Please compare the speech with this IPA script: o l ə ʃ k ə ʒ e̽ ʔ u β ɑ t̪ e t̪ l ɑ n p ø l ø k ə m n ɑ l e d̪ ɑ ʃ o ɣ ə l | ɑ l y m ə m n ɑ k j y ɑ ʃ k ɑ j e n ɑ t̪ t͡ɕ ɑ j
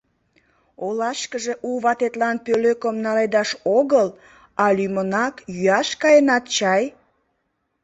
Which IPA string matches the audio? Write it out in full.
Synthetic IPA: o l ɑ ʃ k ə ʒ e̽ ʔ u β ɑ t̪ e t̪ l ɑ n p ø l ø k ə m n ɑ l e d̪ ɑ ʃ o ɣ ə l | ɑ l y m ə n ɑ k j y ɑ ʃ k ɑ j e n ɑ t̪ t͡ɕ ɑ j